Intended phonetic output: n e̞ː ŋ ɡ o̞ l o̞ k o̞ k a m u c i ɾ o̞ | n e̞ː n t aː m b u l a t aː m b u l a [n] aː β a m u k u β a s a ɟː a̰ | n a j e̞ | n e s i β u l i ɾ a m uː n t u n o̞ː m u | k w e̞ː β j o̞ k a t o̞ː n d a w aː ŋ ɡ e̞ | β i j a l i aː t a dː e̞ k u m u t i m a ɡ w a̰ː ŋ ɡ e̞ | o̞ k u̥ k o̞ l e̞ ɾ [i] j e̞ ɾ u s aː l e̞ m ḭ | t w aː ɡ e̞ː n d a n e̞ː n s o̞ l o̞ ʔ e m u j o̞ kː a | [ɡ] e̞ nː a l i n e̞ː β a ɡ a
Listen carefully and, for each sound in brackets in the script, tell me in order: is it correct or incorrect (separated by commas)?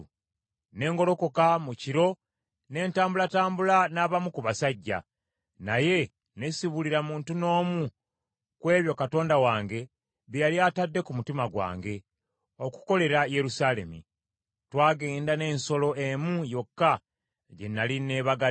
correct, incorrect, incorrect